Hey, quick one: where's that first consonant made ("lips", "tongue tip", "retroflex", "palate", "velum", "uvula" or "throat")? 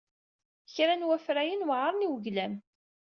palate